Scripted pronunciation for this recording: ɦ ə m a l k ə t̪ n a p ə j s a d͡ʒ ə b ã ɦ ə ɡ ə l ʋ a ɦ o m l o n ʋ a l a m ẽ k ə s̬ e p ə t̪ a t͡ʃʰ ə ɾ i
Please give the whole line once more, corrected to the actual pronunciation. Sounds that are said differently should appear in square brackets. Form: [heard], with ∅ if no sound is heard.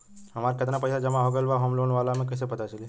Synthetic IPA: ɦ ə m a [ɾ] k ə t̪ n a p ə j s a d͡ʒ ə [m] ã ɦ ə ɡ ə l ʋ a ɦ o m l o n ʋ a l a m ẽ k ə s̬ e p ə t̪ a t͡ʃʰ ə [l] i